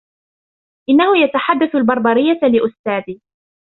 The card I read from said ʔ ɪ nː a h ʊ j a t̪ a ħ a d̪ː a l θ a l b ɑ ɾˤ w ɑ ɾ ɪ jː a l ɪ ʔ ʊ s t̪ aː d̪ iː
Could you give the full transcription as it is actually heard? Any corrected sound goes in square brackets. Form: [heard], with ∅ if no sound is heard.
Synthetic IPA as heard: ʔ ɪ nː a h ʊ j a t̪ a ħ a d̪ː a [∅] θ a l b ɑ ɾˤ [b] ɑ ɾ ɪ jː a l ɪ ʔ ʊ s t̪ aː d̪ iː